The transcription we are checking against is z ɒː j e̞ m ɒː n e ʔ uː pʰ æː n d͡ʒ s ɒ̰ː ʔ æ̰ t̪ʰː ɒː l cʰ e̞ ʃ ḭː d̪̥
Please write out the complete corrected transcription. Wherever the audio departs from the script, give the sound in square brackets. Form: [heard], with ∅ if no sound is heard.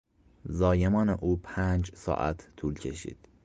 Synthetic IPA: z ɒː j e̞ m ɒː n e ʔ uː pʰ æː n d͡ʒ s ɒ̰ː ʔ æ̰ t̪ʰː [uː] l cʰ e̞ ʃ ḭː d̪̥